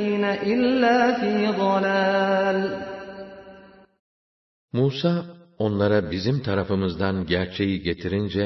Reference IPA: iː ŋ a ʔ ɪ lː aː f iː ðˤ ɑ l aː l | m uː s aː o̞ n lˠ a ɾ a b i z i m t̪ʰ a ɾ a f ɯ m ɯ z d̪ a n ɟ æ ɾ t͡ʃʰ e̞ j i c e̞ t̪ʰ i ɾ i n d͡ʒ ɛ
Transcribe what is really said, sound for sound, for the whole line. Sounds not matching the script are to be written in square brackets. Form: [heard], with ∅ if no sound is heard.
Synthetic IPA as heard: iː [n] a ʔ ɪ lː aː f iː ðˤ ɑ l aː l | m uː s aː o̞ n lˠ a ɾ a b i z i m t̪ʰ a ɾ a f ɯ m ɯ z d̪ a n ɟ æ ɾ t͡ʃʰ e̞ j i [ɟ] e̞ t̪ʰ i ɾ i n d͡ʒ ɛ